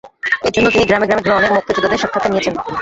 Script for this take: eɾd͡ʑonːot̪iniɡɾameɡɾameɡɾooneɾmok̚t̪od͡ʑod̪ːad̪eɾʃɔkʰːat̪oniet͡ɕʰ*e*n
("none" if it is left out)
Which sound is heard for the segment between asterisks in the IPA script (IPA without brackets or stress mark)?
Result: e